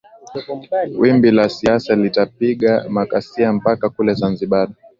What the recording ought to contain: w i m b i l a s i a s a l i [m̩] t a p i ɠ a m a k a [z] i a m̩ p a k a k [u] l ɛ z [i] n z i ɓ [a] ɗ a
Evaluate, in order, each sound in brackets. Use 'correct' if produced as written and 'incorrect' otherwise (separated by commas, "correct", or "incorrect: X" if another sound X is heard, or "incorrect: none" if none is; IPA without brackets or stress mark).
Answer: incorrect: none, incorrect: s, correct, incorrect: a, correct